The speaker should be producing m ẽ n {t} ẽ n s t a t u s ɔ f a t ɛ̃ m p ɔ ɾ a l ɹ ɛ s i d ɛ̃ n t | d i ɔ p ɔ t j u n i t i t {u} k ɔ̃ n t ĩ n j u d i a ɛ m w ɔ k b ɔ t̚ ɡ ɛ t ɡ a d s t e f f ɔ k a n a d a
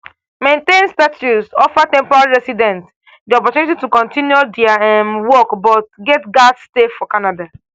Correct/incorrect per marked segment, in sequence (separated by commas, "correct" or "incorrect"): correct, correct